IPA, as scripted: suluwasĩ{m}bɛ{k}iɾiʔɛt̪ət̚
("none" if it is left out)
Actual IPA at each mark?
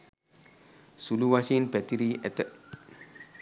n, t

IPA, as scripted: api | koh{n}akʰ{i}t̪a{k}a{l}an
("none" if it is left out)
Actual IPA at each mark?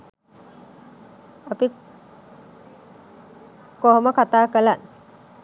m, a, k, l

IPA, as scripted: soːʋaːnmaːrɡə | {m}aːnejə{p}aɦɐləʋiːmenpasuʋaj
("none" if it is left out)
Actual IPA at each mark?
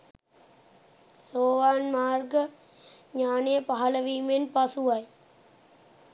ɲ, p

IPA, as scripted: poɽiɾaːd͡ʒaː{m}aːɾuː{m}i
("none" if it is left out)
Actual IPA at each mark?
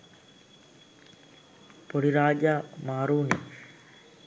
m, n

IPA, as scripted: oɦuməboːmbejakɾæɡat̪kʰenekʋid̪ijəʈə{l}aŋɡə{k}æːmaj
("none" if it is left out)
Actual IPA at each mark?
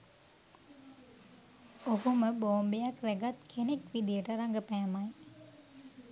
ɾ, p

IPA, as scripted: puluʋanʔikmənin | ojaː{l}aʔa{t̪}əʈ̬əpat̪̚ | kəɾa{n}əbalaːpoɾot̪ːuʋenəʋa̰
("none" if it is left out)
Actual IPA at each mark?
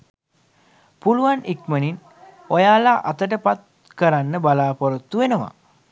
l, t̪, nː

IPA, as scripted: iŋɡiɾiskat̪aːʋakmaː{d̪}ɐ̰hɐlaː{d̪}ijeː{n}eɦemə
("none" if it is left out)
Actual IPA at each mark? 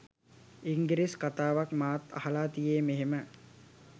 t̪, t̪, m

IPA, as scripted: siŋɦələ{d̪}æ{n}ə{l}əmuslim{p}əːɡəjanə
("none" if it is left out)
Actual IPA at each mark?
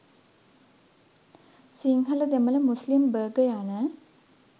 d̪, m, l, b

